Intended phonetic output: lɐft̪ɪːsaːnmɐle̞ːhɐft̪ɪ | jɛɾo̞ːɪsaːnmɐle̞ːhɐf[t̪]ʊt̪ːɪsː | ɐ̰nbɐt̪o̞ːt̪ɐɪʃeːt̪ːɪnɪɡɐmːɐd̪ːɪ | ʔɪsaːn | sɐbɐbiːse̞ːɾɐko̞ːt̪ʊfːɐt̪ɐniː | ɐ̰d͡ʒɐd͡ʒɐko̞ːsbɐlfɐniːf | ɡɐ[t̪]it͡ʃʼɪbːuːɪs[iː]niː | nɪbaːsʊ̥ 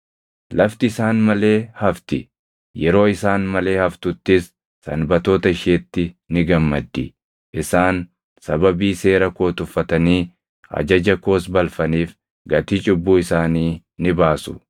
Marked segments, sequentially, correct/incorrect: correct, correct, incorrect

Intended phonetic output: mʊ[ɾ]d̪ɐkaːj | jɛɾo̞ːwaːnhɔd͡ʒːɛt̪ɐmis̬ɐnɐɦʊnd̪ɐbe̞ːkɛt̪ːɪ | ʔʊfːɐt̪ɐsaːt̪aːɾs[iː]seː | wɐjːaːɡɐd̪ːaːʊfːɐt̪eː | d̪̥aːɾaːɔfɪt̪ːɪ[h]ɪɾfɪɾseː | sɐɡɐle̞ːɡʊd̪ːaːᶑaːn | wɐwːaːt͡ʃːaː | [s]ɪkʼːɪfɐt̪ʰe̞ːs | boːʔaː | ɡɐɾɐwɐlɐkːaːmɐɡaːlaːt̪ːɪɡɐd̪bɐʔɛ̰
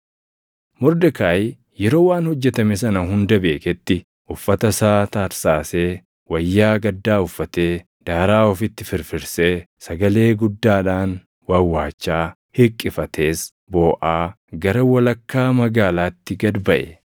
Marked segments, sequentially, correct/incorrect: correct, incorrect, incorrect, incorrect

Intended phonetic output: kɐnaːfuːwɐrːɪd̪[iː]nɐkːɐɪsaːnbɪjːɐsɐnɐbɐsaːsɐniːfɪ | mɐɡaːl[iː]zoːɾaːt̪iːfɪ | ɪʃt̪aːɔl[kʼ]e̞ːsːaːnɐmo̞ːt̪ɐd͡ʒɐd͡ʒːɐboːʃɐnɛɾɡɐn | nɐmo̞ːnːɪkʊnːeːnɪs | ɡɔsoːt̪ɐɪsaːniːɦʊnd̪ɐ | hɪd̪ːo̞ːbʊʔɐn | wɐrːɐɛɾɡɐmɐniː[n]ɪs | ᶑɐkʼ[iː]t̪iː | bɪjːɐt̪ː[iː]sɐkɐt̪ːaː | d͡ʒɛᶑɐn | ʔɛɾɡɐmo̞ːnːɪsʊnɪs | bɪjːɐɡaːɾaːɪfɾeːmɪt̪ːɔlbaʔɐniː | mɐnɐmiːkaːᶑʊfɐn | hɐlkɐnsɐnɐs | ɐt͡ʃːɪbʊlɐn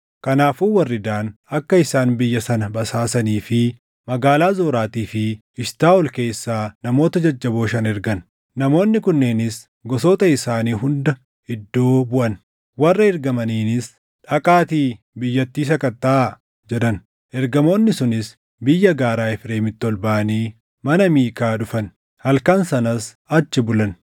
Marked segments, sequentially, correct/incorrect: incorrect, incorrect, incorrect, correct, incorrect, correct

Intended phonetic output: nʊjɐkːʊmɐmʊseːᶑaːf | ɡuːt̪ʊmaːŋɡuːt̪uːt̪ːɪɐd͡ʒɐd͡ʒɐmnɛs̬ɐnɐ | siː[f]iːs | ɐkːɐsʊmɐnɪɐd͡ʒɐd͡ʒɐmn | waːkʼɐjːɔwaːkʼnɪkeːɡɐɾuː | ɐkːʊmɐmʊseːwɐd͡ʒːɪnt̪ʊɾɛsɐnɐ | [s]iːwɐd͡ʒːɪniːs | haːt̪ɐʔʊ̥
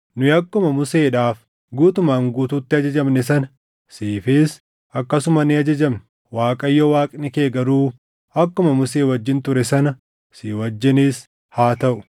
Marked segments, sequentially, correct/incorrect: correct, correct

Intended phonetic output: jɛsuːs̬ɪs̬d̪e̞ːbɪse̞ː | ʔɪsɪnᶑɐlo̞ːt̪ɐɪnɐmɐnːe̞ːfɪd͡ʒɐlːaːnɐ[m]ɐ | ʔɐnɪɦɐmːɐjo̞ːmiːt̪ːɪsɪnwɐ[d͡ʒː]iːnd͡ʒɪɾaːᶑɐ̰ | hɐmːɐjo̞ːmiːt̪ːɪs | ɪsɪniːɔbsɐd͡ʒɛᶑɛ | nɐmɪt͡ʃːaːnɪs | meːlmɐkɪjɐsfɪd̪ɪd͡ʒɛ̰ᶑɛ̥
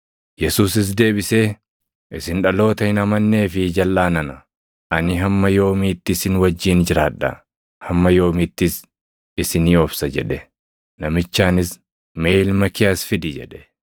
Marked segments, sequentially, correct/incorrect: incorrect, correct

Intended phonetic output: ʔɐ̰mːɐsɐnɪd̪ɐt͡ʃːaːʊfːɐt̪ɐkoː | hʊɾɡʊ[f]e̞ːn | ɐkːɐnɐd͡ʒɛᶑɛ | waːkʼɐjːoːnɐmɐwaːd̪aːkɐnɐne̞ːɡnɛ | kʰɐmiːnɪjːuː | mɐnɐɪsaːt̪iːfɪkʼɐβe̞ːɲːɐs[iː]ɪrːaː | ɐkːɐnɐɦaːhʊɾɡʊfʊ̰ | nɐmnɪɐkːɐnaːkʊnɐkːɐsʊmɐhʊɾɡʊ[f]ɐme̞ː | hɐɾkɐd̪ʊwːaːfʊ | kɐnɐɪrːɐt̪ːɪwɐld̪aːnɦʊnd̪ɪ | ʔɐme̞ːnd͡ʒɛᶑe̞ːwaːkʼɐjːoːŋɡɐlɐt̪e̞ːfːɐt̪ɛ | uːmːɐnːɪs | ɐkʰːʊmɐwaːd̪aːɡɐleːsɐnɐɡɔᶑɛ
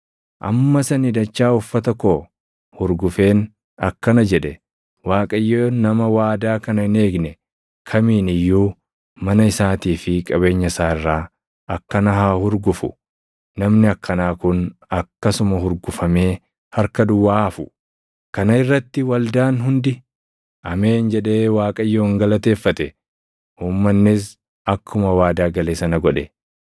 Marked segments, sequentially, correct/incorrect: correct, incorrect, correct

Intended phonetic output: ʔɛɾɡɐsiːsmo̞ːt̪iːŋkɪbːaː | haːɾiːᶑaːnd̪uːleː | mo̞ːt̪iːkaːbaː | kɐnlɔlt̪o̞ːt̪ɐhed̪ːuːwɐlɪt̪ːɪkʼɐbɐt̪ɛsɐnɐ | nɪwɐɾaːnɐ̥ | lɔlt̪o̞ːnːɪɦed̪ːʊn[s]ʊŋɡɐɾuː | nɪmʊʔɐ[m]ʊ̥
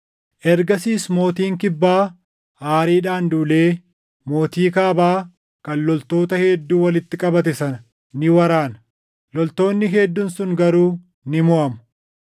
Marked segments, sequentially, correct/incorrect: correct, correct

